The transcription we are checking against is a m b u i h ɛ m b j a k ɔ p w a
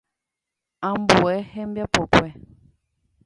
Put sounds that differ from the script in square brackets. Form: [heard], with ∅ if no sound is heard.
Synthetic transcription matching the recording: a m b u [ɛ] h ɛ m b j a [p] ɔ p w [ɛ]